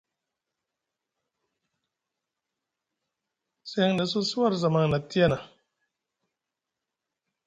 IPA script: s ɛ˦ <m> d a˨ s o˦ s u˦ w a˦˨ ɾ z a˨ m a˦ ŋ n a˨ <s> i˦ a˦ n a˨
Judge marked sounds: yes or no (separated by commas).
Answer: no, no